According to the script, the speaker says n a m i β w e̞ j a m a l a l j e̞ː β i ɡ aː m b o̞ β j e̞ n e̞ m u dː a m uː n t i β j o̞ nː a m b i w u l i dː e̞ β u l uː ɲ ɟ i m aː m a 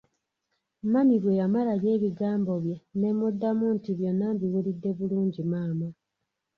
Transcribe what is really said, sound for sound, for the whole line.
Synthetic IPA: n a m i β w e̞ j a m a l a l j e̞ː β i ɡ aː m b o̞ β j e̞ n e̞ m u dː a m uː n t i β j o̞ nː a m b i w u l i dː e̞ β u l uː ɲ ɟ i m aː m a